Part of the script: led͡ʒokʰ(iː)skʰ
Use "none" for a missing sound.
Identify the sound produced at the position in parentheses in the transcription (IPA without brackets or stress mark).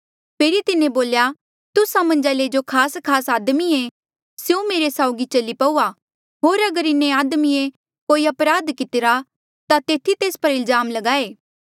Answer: aː